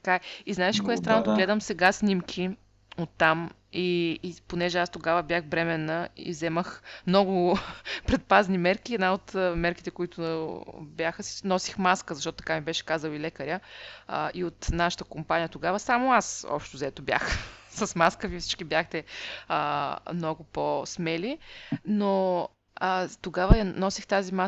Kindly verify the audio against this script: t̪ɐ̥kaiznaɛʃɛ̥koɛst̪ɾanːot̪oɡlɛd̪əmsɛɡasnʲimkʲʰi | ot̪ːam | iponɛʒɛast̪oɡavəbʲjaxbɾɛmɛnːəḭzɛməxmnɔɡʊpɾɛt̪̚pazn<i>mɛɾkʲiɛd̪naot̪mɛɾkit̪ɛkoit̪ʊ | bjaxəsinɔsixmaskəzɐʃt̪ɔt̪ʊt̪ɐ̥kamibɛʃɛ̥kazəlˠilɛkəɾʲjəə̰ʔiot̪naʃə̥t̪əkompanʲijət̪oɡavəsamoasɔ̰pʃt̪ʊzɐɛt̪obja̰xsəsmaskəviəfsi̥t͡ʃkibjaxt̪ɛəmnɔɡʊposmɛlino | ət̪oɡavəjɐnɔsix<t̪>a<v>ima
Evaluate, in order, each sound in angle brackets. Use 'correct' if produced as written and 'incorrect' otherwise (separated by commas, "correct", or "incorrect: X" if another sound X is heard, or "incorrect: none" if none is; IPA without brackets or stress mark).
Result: correct, correct, incorrect: z